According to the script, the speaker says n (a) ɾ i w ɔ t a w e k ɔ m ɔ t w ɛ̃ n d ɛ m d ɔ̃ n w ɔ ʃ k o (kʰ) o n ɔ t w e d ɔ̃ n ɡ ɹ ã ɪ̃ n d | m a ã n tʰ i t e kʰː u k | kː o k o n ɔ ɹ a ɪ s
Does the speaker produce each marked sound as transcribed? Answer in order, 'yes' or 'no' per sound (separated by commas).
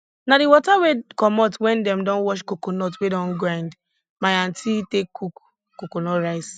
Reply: yes, no